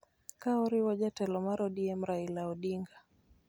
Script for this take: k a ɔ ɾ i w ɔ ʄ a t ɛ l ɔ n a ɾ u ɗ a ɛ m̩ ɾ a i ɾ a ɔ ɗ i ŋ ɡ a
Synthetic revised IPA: k a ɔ ɾ i w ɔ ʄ a t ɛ l ɔ m a ɾ ɔ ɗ i ɛ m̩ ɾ a i l a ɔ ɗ i ŋ ɡ a